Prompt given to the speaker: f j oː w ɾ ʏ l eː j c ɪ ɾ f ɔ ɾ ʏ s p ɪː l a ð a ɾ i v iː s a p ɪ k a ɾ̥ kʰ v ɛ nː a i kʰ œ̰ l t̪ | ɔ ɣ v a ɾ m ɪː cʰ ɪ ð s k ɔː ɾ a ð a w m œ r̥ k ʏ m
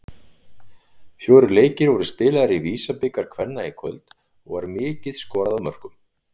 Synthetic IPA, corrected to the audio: f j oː w ɾ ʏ l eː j c ɪ ɾ v ɔ ɾ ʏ s p ɪː l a ð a ɾ i v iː s a p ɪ k a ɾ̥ kʰ v ɛ nː a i kʰ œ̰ l t̪ | ɔ ɣ v a ɾ m ɪː c ɪ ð s k ɔː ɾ a ð a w m œ r̥ k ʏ m